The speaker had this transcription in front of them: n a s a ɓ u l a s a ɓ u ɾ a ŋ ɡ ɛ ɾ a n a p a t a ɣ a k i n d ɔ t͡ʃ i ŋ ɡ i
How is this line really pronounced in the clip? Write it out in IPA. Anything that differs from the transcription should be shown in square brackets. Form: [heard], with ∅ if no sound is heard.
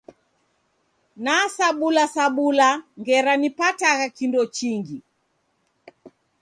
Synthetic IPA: n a s a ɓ u l a s a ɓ u [l] a ŋ ɡ ɛ ɾ a n [i] p a t a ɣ a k i n d ɔ t͡ʃ i ŋ ɡ i